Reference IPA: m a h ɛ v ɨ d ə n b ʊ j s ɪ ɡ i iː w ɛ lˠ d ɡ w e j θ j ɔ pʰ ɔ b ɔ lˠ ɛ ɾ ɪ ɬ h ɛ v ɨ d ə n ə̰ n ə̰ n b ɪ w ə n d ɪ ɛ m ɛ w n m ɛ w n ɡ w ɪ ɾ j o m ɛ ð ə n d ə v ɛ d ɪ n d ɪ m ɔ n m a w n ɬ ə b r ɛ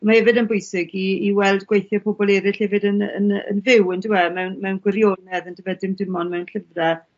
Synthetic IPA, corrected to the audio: m a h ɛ v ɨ d ə n b ʊ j s ɪ ɡ i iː w ɛ lˠ d ɡ w e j θ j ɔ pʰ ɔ b ɔ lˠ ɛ ɾ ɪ ɬ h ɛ v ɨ d ə n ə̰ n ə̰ n v ɪ w ə n d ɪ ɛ m ɛ w n m ɛ w n ɡ w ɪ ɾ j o n ɛ ð ə n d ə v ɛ d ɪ m d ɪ m ɔ n m ɛ w n ɬ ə v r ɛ